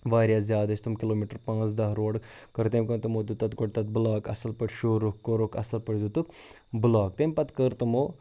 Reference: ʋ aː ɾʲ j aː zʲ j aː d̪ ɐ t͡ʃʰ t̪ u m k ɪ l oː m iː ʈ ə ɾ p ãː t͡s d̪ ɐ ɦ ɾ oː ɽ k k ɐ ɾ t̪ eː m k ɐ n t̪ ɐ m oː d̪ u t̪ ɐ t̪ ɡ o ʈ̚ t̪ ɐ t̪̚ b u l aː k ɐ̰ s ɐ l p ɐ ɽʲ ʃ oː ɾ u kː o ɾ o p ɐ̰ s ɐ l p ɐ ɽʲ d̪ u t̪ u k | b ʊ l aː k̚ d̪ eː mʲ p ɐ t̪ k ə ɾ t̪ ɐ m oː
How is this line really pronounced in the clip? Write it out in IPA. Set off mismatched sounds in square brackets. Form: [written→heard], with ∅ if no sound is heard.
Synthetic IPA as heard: ʋ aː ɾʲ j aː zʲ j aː d̪ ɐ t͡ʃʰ t̪ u m k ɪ l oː m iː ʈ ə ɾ p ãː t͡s d̪ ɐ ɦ ɾ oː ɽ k k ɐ ɾ t̪ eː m k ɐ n t̪ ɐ m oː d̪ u t̪ ɐ t̪ ɡ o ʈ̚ t̪ ɐ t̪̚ b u l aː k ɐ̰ s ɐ l p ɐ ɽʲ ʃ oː ɾ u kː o ɾ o [p→k] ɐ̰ s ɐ l p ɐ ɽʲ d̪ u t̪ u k | b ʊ l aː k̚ [d̪→t̪] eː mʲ p ɐ t̪ k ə ɾ t̪ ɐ m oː